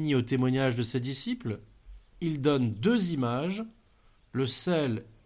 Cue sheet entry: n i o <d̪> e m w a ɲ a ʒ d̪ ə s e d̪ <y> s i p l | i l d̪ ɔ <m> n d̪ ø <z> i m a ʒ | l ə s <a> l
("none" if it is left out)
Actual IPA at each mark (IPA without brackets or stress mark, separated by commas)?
t̪, i, none, z, ɛ